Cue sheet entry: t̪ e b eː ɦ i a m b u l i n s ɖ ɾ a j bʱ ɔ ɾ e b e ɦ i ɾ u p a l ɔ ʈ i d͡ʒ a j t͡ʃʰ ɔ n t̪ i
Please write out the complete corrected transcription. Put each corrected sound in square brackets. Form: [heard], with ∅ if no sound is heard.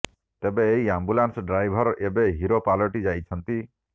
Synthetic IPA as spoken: t̪ e b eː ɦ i a m b u l [a] n s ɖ ɾ a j bʱ ɔ ɾ e b e ɦ i ɾ [o] p a l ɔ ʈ i d͡ʒ a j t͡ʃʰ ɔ n t̪ i